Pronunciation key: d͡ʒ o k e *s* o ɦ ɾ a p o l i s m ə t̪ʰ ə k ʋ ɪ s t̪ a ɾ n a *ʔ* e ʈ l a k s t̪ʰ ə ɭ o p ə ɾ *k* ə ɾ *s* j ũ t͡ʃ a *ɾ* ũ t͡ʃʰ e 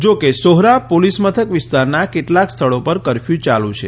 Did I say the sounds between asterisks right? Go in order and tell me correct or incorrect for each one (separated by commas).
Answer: correct, incorrect, correct, incorrect, incorrect